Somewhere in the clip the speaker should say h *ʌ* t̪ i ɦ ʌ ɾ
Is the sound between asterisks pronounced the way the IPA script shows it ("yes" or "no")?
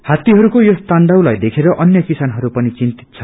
no